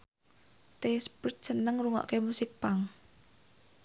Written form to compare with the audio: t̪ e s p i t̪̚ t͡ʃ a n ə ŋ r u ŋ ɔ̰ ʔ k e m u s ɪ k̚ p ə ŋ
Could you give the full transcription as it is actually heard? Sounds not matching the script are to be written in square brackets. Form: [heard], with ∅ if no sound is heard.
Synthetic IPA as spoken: t̪ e s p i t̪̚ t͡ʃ [ə] n ə ŋ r u ŋ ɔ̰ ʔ k e m u s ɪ k̚ p [a] ŋ